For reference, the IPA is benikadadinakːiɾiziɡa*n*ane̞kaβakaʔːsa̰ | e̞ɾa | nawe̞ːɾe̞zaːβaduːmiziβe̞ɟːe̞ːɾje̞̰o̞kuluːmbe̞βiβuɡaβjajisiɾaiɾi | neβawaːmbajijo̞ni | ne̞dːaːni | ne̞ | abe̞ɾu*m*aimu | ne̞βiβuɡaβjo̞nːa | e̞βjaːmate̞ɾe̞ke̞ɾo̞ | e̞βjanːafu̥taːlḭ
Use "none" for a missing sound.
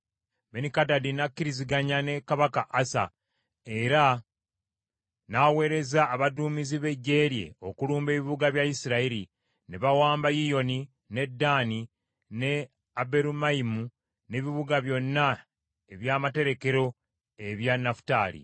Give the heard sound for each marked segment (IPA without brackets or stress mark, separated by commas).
ɲ, m